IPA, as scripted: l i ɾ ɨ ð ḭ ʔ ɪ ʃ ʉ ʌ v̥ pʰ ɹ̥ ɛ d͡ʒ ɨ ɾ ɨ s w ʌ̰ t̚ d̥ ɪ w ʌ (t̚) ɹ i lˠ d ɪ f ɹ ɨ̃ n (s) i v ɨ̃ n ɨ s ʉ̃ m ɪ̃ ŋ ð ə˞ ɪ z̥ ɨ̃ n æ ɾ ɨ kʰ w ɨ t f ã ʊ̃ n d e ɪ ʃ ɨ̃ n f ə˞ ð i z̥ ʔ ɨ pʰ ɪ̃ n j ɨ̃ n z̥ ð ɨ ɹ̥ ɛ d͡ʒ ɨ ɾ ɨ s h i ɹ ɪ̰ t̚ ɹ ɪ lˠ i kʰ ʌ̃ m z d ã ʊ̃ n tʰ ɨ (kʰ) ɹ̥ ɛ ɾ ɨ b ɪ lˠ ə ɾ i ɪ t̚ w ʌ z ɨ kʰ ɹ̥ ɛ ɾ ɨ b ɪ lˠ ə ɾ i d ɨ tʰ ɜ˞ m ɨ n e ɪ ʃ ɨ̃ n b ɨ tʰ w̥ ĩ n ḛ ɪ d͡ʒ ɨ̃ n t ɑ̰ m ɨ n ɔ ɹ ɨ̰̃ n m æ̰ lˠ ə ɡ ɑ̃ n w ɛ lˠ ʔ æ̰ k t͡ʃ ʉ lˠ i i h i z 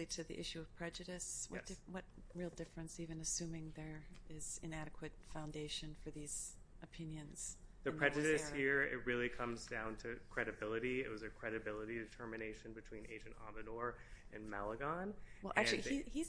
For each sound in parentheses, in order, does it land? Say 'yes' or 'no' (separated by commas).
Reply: yes, yes, yes